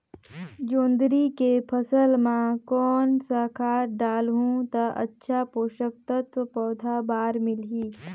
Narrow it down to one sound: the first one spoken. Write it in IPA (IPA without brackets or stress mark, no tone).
d͡ʒ